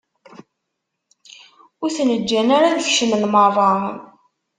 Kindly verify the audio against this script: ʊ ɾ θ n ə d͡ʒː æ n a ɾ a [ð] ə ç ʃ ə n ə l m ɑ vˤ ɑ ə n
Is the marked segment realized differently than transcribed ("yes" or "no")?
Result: no